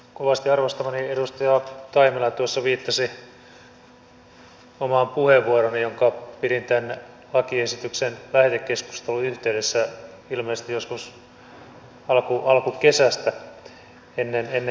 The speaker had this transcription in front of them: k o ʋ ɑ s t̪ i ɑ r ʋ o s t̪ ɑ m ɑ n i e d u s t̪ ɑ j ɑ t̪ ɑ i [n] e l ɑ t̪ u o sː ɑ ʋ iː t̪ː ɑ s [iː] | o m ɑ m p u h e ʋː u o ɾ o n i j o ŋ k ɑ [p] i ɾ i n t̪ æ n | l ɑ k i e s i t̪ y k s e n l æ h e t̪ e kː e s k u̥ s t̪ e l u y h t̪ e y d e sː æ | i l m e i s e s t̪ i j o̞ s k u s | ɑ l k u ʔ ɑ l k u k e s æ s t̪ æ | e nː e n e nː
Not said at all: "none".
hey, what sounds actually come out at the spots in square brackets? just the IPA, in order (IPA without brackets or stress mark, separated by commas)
m, i, p